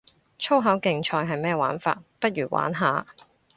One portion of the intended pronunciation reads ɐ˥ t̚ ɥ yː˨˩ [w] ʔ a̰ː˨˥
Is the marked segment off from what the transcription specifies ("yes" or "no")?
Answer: no